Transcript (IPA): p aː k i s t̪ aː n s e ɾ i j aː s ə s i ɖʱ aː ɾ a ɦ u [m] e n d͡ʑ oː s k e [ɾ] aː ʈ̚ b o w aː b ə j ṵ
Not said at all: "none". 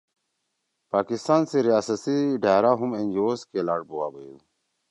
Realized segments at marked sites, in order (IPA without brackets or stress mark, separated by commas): m, l